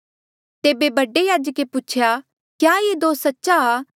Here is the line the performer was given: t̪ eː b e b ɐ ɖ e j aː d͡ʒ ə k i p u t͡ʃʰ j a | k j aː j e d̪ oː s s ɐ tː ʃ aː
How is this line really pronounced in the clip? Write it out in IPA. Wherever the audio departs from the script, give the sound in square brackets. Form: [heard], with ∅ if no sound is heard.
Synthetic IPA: t̪ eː b e b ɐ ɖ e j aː d͡ʒ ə k [e] p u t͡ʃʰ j a | k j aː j e d̪ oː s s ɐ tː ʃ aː